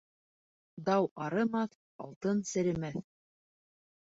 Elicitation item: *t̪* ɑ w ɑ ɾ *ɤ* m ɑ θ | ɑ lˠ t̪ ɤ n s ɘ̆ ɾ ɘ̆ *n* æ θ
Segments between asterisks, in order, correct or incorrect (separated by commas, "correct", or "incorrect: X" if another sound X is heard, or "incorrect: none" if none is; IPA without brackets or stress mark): incorrect: d̪, correct, incorrect: m